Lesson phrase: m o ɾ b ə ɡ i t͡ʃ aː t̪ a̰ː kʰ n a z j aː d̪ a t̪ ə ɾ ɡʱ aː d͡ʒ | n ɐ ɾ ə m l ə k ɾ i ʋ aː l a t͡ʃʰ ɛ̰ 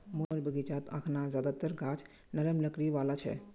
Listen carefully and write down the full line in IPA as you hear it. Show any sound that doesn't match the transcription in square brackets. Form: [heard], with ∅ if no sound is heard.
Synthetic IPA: m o ɾ b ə ɡ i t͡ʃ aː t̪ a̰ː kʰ n a z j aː d̪ a t̪ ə ɾ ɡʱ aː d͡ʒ | n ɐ ɾ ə m l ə k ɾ i ʋ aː l a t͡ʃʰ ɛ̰